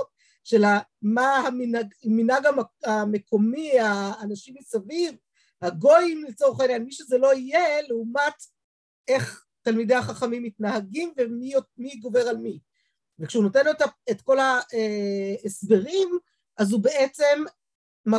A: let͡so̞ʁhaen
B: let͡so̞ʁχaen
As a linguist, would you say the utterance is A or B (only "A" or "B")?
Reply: B